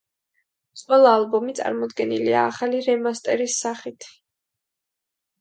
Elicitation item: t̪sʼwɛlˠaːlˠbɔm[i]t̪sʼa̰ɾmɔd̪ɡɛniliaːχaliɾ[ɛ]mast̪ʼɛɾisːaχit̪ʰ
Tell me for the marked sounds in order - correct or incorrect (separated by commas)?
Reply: correct, correct